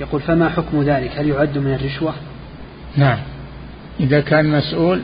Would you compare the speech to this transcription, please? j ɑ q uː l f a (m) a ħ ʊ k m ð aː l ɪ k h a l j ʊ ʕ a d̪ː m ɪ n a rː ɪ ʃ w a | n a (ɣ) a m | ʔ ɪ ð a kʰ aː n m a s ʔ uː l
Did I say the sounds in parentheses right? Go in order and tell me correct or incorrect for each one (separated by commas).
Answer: correct, incorrect